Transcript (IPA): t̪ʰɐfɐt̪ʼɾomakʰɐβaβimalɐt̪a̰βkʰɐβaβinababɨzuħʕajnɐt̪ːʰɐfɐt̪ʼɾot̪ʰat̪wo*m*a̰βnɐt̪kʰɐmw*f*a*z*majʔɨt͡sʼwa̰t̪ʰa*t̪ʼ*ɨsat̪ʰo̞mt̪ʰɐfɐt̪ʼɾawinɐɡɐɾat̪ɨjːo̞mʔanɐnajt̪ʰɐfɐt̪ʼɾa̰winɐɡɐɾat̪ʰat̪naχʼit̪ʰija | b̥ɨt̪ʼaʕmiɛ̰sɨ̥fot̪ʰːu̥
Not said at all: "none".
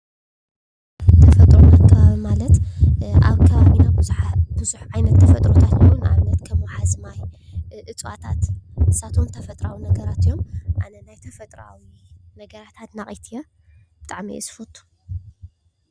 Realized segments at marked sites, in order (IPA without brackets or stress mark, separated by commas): n, ħ, z, t̪